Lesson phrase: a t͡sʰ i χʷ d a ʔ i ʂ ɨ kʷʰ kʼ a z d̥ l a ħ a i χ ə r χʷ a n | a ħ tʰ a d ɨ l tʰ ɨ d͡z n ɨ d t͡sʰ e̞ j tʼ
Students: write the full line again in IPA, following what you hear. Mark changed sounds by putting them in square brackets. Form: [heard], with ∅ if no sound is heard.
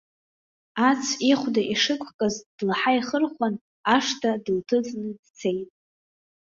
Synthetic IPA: a t͡sʰ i χʷ d a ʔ i ʂ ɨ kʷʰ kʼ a z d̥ l a ħ a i χ ə r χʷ a n | a [ʂ] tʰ a d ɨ l tʰ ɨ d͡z n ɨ d t͡sʰ e̞ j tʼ